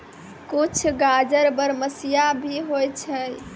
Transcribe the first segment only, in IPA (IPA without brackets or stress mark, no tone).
k